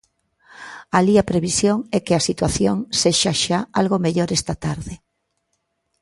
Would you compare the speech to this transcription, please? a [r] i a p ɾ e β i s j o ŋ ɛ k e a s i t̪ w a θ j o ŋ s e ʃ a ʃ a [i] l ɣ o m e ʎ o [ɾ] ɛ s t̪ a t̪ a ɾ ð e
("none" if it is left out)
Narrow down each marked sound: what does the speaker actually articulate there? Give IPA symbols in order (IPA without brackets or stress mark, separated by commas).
l, a, ɾ